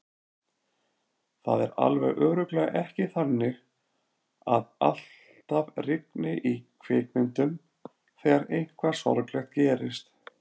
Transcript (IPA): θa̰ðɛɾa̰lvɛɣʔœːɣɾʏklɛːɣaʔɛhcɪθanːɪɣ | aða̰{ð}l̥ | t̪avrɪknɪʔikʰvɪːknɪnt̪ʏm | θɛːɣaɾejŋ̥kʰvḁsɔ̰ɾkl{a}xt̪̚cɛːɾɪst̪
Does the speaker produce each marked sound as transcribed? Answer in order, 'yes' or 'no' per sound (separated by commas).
no, no